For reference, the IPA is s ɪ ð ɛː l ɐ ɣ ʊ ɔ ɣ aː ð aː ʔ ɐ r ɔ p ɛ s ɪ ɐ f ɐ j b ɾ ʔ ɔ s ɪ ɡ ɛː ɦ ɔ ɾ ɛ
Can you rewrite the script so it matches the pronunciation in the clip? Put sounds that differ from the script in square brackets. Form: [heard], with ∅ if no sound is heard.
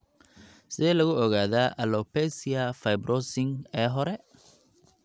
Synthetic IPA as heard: s ɪ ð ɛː l ɐ ɣ ʊ ɔ ɣ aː ð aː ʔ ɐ [l] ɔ p ɛ s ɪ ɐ f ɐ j b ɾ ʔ ɔ s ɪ [ŋ] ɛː ɦ ɔ ɾ ɛ